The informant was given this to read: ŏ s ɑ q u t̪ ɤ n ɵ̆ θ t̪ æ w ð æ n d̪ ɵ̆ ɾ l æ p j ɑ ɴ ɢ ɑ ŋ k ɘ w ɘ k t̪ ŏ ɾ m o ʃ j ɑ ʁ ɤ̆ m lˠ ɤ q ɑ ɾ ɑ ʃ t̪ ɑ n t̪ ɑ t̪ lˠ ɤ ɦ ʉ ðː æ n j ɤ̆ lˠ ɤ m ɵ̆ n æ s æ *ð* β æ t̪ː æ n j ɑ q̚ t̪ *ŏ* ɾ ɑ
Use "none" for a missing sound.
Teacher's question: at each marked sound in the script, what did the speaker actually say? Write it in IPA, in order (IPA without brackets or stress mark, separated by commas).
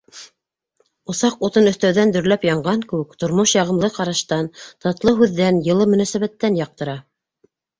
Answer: none, ɤ̆